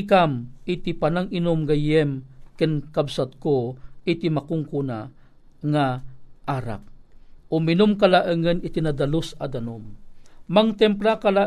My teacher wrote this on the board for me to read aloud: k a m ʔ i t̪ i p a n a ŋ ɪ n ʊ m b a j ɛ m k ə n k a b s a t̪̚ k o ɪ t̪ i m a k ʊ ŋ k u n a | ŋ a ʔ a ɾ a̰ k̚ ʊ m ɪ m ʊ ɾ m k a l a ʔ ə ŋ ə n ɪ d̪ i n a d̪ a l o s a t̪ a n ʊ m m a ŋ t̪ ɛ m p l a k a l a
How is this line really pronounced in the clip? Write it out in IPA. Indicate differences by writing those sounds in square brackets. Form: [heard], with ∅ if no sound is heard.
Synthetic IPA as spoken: k a m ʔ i t̪ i p a n a ŋ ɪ n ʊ m [ɡ] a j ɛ m k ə n k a b s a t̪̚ k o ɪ t̪ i m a k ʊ ŋ k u n a | ŋ a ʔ a ɾ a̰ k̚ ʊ m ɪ [n] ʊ [∅] m k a l a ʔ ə ŋ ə n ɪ [t̪] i n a d̪ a l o s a [d̪] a n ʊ m m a ŋ t̪ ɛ m p l a k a l a